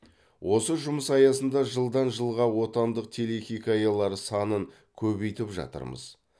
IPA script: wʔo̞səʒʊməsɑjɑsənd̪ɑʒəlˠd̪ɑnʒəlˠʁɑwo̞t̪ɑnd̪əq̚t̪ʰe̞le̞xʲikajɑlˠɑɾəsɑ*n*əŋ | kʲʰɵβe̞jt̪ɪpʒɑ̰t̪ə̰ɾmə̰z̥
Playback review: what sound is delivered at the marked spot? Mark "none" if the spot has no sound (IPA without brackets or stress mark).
n